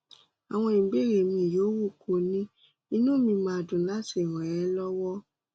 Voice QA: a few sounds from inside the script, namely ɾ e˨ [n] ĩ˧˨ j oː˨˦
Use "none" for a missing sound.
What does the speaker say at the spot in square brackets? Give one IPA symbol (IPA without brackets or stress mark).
m